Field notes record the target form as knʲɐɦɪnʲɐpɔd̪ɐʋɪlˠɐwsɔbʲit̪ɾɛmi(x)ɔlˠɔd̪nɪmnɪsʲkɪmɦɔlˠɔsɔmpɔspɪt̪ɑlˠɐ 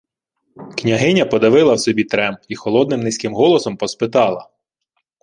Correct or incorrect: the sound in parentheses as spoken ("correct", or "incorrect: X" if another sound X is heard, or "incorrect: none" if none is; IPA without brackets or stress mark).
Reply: correct